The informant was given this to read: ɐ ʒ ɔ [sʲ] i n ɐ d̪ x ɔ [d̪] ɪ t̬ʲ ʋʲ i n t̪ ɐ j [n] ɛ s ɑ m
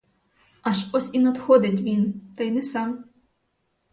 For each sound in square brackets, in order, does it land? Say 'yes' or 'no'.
yes, yes, yes

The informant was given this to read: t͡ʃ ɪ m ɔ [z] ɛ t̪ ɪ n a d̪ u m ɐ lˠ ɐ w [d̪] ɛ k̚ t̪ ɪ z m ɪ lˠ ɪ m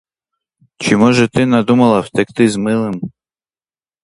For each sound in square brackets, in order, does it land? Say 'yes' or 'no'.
no, no

